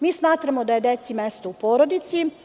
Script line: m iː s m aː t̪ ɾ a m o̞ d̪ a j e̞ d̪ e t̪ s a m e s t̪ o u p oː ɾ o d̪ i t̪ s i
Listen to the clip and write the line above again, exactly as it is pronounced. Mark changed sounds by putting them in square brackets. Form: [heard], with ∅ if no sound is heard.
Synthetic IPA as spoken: m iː s m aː t̪ ɾ a m o̞ d̪ a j e̞ d̪ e t̪ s [i] m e s t̪ o u p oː ɾ o d̪ i t̪ s i